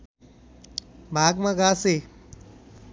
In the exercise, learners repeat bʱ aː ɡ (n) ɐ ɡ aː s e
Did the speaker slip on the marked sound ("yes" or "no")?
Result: yes